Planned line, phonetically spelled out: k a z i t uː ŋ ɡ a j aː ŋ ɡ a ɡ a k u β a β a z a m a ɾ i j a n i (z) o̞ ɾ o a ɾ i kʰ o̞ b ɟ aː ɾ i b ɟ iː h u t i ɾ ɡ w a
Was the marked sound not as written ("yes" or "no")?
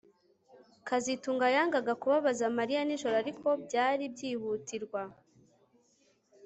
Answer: yes